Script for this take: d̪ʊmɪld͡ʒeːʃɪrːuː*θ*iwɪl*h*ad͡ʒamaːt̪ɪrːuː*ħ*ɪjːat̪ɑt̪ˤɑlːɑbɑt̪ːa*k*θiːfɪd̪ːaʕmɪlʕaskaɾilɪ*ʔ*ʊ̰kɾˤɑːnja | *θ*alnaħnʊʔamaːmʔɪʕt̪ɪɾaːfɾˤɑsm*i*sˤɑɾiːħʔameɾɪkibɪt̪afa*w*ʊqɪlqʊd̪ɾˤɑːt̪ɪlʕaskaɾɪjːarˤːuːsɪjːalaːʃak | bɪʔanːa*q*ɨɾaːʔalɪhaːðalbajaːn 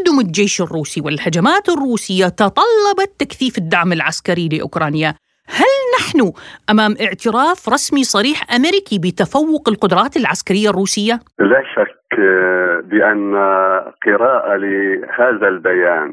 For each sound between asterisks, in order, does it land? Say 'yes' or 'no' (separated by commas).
no, yes, no, yes, yes, no, yes, no, yes